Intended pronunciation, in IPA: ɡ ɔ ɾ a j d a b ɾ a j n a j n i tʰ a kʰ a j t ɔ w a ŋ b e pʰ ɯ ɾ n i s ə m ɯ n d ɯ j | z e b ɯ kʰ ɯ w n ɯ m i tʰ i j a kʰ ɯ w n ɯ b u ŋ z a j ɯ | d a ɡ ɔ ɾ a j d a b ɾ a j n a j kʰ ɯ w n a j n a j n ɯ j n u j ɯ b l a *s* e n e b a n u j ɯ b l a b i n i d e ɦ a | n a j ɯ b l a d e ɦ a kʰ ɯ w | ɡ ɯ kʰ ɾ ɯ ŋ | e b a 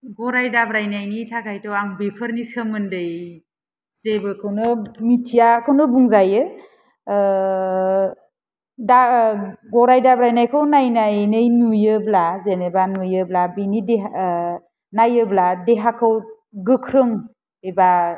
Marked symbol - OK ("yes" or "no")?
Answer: no